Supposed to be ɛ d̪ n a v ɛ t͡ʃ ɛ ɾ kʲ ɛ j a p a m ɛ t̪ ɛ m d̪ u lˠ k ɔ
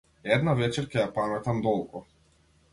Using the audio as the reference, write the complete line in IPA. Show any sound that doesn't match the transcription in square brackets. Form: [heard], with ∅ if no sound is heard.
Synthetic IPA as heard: ɛ d̪ n a v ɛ t͡ʃ ɛ ɾ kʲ ɛ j a p a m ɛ t̪ [a] m d̪ [ɔ] lˠ k ɔ